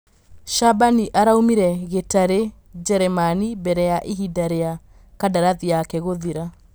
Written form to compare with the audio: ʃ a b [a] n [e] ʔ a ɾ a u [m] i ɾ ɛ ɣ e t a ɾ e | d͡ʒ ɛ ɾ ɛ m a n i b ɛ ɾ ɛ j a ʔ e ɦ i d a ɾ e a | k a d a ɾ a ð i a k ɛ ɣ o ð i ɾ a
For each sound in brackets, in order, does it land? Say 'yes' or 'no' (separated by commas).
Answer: yes, no, yes